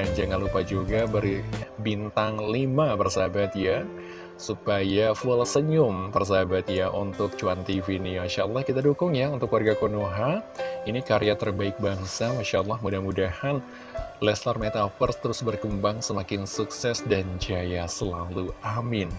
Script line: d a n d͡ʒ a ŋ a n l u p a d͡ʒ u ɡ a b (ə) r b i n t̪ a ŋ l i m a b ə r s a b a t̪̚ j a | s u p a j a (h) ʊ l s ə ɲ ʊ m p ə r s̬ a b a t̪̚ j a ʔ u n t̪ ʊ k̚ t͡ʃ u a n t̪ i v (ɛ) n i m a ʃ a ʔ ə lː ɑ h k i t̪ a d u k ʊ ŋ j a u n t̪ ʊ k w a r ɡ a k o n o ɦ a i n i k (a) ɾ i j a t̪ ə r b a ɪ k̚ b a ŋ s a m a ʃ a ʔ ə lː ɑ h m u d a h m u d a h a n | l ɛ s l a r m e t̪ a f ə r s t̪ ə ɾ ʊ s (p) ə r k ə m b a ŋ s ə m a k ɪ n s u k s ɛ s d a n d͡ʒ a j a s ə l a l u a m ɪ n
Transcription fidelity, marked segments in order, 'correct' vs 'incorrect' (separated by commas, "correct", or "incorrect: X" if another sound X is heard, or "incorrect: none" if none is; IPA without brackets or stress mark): correct, incorrect: f, incorrect: i, correct, incorrect: b